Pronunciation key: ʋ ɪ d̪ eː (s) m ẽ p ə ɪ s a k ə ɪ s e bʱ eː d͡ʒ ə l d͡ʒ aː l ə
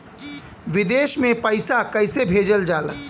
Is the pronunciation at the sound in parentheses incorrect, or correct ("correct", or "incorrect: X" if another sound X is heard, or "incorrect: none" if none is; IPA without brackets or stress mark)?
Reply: incorrect: ʃ